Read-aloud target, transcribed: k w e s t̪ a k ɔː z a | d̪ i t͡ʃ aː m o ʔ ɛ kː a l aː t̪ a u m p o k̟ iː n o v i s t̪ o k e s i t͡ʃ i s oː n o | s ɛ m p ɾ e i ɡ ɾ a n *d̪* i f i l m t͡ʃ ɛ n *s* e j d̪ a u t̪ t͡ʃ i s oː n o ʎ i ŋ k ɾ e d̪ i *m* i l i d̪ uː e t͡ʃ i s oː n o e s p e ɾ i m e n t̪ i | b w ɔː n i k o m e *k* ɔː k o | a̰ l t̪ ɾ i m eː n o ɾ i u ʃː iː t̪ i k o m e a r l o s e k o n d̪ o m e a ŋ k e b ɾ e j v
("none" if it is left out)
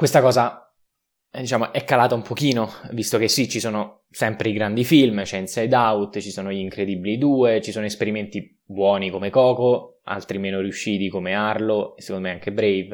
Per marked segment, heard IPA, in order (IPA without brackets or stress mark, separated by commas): d̪, s, b, k